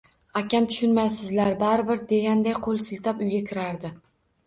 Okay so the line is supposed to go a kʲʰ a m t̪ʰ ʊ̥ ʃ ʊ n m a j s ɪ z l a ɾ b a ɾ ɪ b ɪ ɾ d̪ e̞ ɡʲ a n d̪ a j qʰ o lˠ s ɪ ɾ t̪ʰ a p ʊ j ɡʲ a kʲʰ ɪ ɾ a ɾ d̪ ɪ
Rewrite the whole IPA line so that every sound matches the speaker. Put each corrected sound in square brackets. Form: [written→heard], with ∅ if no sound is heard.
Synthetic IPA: a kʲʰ a m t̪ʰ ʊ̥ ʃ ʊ n m a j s ɪ z l a ɾ b a ɾ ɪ b ɪ ɾ d̪ e̞ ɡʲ a n d̪ a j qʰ o lˠ s ɪ [ɾ→l] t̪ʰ a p ʊ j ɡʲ a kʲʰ ɪ ɾ a ɾ d̪ ɪ